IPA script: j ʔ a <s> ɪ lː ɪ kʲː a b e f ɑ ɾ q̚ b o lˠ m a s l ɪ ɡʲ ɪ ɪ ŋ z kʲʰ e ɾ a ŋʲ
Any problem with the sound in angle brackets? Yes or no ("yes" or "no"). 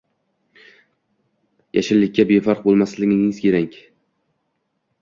yes